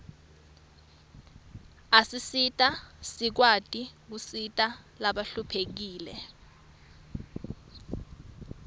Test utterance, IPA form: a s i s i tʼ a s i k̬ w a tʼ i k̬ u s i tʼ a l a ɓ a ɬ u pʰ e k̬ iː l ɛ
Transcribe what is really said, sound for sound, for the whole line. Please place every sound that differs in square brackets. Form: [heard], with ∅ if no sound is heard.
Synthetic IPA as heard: a s i s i tʼ a s i k̬ w a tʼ i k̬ u s i tʼ a l a ɓ a ɬ u pʰ e k̬ iː l ɛ